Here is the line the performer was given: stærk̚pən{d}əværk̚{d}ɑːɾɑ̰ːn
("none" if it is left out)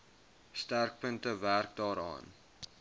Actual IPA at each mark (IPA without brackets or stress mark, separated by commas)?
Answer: t, d